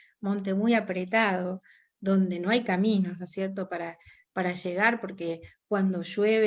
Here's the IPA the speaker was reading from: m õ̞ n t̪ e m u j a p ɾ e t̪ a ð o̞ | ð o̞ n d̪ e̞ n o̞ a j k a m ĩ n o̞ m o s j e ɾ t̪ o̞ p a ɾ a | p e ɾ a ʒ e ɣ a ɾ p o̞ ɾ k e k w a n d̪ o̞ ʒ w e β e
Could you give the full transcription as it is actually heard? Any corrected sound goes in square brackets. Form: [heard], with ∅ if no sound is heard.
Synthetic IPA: m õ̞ n t̪ e m u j a p ɾ e t̪ a ð o̞ | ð o̞ n d̪ e̞ n o̞ a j k a m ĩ n o̞ [n] o s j e ɾ t̪ o̞ p a ɾ a | p [a] ɾ a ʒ e ɣ a ɾ p o̞ ɾ k e k w a n d̪ o̞ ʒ w e β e